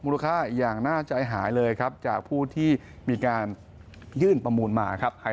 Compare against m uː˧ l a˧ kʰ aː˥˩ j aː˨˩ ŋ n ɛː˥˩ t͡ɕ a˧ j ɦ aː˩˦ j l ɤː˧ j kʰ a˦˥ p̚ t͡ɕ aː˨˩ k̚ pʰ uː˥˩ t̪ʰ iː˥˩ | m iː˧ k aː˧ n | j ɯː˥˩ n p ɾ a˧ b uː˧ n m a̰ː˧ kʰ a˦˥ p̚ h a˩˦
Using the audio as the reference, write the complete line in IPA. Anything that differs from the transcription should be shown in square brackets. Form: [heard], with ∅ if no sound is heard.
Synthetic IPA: m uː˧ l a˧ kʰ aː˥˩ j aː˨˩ ŋ n [aː˥˩] t͡ɕ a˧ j ɦ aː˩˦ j l ɤː˧ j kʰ a˦˥ p̚ t͡ɕ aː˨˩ k̚ pʰ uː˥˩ t̪ʰ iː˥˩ | m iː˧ k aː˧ n | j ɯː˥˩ n p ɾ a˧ [m] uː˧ n m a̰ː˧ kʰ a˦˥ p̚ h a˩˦